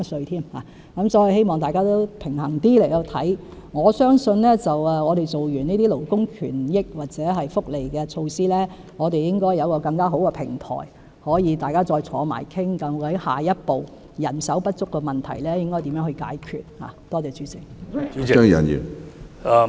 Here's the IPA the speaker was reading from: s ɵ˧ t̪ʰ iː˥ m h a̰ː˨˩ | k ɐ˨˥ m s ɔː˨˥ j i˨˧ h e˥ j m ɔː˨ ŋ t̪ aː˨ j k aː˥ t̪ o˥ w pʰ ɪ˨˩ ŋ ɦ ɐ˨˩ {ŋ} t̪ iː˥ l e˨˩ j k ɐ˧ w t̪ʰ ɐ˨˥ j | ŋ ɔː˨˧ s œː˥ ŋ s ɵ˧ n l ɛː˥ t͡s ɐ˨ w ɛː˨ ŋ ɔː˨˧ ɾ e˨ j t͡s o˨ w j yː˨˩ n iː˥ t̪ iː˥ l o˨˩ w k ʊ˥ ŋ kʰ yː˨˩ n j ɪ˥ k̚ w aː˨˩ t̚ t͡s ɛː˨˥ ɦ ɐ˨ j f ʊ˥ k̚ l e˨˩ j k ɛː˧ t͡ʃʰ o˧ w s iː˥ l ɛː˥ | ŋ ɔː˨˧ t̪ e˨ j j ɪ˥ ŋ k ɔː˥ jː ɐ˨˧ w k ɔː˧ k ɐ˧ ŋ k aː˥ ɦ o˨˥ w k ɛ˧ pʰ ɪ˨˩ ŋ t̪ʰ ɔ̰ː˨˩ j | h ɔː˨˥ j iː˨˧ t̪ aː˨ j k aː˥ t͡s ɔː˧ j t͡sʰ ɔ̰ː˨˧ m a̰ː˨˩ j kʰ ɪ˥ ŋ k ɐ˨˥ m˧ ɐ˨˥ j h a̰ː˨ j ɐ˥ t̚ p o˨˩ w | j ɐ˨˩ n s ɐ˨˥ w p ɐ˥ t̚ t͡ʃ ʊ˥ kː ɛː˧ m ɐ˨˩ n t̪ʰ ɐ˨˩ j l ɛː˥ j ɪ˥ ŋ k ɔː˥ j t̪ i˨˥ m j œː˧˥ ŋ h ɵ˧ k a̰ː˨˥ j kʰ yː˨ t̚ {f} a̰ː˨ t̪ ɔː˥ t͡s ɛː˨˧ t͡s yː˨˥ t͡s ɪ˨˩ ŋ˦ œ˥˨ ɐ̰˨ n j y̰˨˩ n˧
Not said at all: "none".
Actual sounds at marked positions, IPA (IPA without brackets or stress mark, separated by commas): ŋ, h